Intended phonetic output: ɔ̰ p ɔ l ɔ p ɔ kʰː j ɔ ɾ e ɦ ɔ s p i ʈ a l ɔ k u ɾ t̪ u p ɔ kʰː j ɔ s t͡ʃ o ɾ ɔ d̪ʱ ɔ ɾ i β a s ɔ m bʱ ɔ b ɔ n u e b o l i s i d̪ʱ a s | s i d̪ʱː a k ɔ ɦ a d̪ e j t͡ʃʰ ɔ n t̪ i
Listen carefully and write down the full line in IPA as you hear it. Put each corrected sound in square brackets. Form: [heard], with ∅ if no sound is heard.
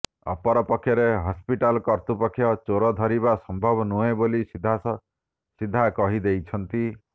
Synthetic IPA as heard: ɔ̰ p ɔ [ɾ] ɔ p ɔ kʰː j ɔ ɾ e ɦ ɔ s p i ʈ a l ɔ k [ɔ] ɾ t̪ u p ɔ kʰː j ɔ [∅] t͡ʃ o ɾ ɔ d̪ʱ ɔ ɾ i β a s ɔ m bʱ ɔ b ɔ n u e b o l i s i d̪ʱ a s | s i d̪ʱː a k ɔ ɦ [i] d̪ e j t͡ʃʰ ɔ n t̪ i